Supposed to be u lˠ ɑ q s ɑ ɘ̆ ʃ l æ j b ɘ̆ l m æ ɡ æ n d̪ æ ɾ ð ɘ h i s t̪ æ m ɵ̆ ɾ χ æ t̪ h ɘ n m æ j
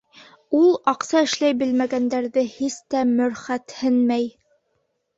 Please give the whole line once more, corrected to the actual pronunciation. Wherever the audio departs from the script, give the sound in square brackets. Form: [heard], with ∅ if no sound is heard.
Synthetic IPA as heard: u lˠ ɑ q s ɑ ɘ̆ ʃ l æ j b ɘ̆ l m æ ɡ æ n d̪ æ ɾ ð ɘ h i s t̪ æ m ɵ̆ ɾ χ æ t̪ h ɘ n m æ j